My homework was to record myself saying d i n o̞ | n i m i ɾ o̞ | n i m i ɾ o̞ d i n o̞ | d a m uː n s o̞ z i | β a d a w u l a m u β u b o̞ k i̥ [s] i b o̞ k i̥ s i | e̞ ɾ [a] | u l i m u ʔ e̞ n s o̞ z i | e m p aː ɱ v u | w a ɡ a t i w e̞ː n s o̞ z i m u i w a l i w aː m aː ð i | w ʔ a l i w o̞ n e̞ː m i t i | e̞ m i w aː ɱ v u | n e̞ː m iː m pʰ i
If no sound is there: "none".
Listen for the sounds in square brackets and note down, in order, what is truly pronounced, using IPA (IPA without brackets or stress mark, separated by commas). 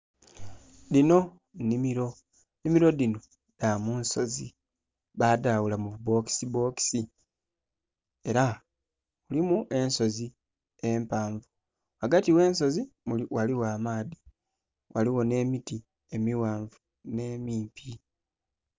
s, a